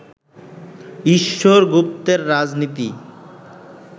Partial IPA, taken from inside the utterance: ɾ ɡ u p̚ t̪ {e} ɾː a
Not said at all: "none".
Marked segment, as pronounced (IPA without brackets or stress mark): e